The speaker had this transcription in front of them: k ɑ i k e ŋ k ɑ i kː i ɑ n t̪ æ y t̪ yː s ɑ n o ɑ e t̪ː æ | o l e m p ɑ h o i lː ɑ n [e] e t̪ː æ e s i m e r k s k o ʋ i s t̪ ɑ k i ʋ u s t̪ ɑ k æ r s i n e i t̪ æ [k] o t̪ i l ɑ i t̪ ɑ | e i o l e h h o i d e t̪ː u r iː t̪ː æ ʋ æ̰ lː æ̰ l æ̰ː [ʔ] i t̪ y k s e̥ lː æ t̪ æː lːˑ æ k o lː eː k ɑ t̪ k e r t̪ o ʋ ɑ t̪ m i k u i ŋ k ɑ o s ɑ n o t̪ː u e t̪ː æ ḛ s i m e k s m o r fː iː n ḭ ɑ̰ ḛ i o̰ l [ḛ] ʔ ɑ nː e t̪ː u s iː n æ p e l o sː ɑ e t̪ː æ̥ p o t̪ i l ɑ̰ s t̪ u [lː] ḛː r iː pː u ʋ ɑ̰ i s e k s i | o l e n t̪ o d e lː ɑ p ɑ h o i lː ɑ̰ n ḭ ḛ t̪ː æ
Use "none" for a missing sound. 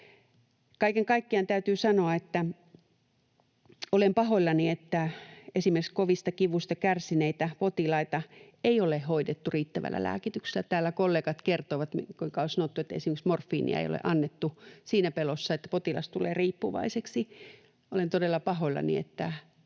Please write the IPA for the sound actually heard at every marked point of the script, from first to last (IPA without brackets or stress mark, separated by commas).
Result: i, p, k, ḛ, l